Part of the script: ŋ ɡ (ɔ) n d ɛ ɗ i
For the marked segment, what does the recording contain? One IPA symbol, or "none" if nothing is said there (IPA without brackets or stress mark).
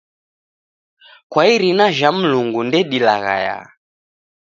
u